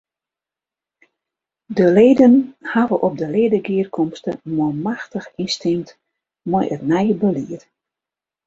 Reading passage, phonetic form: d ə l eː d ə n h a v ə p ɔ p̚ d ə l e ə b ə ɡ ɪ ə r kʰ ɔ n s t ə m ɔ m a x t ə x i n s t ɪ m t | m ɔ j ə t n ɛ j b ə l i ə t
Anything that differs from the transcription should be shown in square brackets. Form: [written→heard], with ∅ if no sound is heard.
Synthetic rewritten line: d ə l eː d ə n h a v ə [p→ʔ] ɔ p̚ d ə l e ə [b→d] ə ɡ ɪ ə r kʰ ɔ [n→m] s t ə m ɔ m a x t ə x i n s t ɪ m t | m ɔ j ə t n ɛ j b ə l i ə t